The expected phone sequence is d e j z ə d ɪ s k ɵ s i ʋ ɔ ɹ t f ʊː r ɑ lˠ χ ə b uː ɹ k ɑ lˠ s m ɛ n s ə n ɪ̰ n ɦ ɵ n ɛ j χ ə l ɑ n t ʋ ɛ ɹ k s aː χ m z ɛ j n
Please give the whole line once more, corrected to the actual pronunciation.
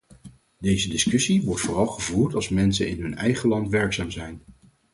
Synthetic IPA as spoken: d e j z ə d ɪ s k ɵ s i ʋ ɔ ɹ t f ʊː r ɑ lˠ χ ə v uː ɹ t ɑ lˠ s m ɛ n s ə n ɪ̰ n ɦ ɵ n ɛ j χ ə l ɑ n t ʋ ɛ ɹ k s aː m z ɛ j n